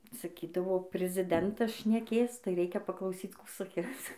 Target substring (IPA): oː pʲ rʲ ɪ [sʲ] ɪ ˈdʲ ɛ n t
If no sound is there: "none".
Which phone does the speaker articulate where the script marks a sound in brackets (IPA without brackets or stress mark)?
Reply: zʲ